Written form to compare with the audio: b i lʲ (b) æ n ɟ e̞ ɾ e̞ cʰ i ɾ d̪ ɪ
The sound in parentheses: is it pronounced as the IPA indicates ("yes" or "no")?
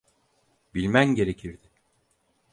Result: no